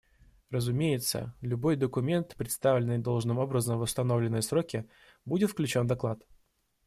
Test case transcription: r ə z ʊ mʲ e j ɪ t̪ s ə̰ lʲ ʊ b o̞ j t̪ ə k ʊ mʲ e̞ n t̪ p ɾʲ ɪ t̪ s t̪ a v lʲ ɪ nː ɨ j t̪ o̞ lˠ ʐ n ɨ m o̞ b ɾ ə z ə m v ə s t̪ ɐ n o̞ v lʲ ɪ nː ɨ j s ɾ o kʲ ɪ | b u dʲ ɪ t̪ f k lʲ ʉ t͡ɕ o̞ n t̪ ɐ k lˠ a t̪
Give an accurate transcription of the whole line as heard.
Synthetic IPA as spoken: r ə z ʊ mʲ e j ɪ t̪ s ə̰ lʲ ʊ b o̞ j d̪ ə k ʊ mʲ e̞ n t̪ p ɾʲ ɪ t̪ s t̪ a v lʲ ɪ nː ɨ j d̪ o̞ lˠ ʐ n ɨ m o̞ b ɾ ə z ə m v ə s t̪ ɐ n o̞ v lʲ ɪ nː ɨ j s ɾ o kʲ ɪ | b u dʲ ɪ t̪ f k lʲ ʉ t͡ɕ o̞ n d̪ ɐ k lˠ a t̪